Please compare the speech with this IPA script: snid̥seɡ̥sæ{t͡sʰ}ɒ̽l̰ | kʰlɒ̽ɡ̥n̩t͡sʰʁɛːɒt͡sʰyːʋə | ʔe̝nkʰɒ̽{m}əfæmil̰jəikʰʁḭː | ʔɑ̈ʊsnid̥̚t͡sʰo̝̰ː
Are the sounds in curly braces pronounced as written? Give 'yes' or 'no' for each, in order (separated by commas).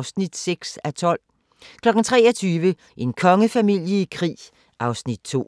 yes, no